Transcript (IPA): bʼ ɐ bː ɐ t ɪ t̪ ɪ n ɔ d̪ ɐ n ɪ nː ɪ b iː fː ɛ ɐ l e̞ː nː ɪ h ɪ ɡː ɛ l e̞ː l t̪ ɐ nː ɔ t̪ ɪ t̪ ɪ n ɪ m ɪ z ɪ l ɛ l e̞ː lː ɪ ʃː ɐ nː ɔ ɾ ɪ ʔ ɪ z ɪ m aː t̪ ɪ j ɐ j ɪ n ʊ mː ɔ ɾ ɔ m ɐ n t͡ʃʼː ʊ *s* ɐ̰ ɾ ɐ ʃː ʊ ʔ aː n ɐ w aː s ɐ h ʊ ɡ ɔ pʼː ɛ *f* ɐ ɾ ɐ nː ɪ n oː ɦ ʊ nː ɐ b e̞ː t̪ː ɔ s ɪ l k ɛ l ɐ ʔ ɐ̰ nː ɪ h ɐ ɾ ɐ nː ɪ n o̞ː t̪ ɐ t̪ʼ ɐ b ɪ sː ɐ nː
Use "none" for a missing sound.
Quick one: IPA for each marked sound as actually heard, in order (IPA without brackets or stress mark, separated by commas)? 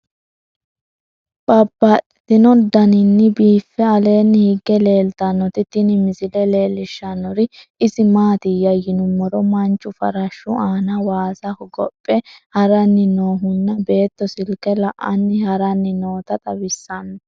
f, h